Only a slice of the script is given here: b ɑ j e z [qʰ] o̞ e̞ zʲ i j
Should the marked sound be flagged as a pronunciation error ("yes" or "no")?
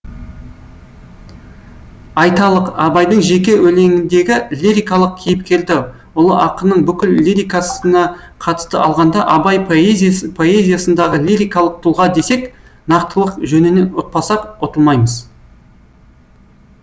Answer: yes